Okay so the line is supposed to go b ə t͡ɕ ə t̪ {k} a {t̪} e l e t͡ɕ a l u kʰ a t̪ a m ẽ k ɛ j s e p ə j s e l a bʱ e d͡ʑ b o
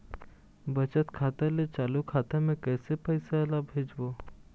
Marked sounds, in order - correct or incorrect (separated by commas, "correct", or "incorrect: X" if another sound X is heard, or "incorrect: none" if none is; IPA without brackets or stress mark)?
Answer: incorrect: kʰ, correct